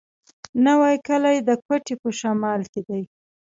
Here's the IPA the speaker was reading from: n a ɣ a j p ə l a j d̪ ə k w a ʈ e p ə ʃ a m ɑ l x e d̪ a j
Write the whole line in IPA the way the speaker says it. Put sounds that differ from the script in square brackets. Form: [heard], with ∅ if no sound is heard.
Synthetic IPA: n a [w] a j [k] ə l a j d̪ ə k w a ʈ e p ə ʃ a m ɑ l [k] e d̪ a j